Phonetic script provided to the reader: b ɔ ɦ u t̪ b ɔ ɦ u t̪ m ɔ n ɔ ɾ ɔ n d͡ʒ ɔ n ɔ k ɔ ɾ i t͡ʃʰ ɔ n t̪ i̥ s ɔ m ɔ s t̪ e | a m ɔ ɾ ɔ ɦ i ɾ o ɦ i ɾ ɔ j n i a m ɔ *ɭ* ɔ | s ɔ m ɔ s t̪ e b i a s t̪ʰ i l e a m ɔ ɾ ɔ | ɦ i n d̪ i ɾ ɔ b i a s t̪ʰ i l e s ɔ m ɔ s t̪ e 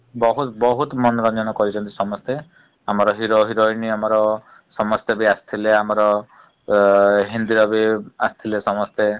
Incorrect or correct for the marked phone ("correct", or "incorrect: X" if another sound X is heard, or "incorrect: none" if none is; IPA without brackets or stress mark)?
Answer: incorrect: ɾ